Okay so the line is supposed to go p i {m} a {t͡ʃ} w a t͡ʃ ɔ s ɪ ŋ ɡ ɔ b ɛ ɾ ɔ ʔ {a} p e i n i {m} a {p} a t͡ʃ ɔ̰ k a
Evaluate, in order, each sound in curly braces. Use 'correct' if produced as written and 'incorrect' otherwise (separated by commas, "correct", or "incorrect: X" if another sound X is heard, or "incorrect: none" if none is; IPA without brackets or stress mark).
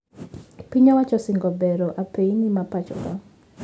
incorrect: ɲ, incorrect: none, correct, correct, correct